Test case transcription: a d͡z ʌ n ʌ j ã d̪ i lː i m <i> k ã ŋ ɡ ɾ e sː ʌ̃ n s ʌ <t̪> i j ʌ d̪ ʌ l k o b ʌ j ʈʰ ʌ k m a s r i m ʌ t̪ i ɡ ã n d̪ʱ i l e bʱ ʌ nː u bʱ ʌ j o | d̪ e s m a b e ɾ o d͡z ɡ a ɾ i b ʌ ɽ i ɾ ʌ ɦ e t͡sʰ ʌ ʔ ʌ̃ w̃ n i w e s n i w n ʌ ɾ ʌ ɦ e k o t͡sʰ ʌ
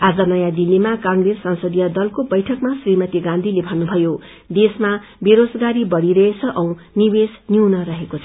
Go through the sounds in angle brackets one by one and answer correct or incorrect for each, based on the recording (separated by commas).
incorrect, incorrect